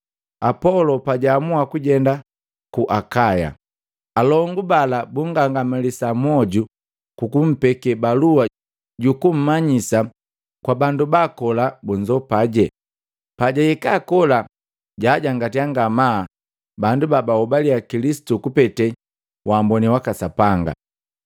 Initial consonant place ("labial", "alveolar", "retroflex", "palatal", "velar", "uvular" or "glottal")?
labial